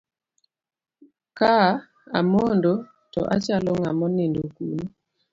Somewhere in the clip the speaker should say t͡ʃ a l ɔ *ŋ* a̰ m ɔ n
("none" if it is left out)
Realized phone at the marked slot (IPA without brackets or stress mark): ŋ